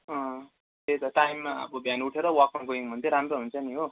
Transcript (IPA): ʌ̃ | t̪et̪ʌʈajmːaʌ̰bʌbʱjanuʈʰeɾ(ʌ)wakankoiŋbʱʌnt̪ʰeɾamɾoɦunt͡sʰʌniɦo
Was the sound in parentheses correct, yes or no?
yes